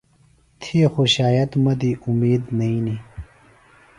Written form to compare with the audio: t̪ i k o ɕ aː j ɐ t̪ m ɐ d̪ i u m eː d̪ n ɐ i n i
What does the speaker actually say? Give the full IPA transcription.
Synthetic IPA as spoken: t̪ʰ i x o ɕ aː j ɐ t̪ m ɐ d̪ i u m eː d̪ n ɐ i n i